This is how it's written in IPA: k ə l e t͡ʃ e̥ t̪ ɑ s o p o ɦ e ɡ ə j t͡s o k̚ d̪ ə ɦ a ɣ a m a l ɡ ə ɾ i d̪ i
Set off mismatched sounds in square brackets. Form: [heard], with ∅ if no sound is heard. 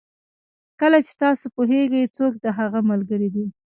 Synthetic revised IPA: k ə l [a] t͡ʃ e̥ t̪ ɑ s o p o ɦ e ɡ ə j t͡s o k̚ d̪ ə ɦ a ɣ a m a l ɡ ə ɾ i d̪ i